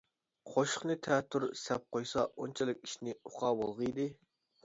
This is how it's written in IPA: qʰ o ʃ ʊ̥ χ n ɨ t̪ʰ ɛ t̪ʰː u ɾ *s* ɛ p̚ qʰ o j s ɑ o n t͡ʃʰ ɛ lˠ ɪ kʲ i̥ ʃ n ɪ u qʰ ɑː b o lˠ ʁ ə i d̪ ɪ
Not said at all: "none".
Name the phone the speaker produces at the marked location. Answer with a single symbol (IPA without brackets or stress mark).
s